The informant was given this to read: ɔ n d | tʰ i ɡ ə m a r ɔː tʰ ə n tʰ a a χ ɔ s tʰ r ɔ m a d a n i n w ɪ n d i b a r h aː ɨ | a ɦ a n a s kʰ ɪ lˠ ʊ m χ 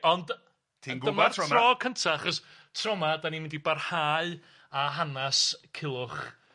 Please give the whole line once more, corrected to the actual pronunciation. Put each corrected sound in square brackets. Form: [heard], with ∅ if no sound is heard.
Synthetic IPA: ɔ n d | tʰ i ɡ ə m a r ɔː [kʰ] ə n tʰ a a χ ɔ s tʰ r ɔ m a d a n i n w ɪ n d i b a r h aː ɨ | a ɦ a n a s kʰ ɪ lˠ ʊ [∅] χ